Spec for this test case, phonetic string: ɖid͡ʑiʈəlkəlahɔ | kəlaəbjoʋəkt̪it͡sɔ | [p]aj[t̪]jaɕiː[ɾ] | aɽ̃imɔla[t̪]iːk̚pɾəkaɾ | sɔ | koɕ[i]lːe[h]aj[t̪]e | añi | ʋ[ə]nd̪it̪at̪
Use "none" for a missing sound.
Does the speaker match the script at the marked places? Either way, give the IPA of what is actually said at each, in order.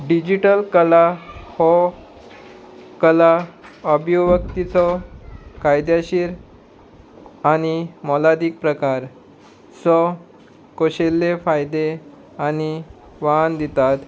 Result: k, d̪, ɾ, d̪, e, f, d̪, a

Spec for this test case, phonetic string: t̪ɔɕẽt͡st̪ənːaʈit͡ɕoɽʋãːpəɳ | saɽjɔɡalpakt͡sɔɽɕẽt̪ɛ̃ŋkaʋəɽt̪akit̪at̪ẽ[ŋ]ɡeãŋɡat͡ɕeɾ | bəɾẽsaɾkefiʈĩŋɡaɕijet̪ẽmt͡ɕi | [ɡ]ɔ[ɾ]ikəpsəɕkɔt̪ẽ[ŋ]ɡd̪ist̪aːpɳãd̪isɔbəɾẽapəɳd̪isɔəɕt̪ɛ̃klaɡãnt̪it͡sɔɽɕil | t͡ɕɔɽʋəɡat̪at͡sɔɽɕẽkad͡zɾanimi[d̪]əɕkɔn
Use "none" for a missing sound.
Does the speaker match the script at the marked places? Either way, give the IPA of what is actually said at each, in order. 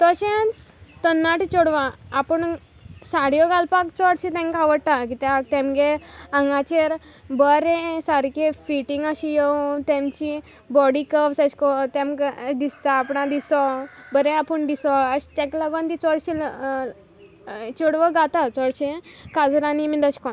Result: m, b, ɽ, m, d̪

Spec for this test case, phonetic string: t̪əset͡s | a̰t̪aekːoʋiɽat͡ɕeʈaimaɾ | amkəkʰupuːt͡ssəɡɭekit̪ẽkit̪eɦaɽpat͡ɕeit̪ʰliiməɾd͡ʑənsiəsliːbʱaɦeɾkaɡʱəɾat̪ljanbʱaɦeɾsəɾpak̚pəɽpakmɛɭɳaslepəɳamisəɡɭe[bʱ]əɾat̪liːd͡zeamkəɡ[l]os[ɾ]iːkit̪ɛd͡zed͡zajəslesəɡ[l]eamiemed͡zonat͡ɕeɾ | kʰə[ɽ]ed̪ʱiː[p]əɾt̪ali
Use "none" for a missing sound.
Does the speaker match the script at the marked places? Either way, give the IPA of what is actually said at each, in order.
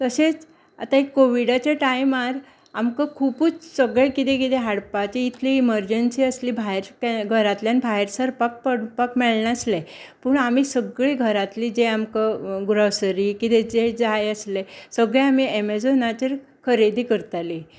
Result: ɡʱ, ɾ, ɾ, ɭ, ɾ, k

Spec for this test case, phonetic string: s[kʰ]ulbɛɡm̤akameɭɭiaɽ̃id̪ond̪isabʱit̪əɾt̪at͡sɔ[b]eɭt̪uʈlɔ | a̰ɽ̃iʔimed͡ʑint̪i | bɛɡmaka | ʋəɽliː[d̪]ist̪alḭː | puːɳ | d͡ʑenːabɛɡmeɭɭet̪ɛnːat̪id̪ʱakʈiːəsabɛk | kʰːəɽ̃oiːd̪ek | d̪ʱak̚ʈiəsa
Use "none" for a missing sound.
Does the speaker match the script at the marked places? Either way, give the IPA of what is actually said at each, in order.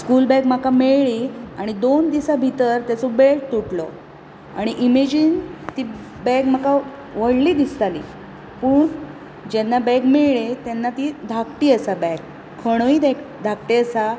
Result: k, b, d̪

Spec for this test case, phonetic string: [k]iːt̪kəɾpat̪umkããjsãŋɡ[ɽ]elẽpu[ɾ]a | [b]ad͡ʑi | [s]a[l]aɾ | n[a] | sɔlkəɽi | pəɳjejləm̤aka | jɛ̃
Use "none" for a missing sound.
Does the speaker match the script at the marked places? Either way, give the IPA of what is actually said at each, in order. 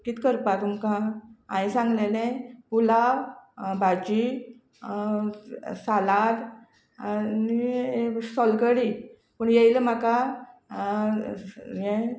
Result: k, l, l, b, s, l, i

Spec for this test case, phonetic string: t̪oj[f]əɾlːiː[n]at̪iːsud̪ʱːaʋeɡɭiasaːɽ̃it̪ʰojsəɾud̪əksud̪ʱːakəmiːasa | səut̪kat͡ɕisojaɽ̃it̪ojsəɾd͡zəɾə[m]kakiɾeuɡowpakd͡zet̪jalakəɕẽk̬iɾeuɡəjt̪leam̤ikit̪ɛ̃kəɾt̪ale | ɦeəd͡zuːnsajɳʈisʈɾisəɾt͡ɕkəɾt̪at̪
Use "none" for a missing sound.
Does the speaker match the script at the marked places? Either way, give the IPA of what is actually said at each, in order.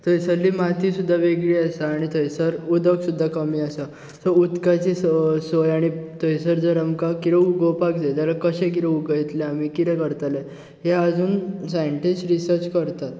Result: s, m, m

